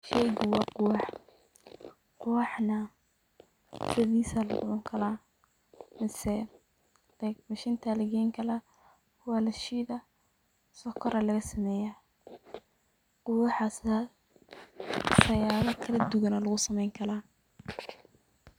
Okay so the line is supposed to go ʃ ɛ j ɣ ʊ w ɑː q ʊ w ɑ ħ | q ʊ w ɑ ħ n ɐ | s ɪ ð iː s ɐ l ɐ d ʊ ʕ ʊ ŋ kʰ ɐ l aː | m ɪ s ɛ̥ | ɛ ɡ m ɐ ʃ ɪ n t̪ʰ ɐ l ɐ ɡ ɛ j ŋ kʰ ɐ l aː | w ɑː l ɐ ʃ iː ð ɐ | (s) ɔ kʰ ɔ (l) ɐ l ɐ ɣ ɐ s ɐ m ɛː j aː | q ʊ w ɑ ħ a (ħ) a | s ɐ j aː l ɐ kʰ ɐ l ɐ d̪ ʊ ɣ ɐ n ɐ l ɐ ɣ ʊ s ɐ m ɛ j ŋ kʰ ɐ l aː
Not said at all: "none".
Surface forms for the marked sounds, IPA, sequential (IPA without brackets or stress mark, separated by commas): s, ɾ, s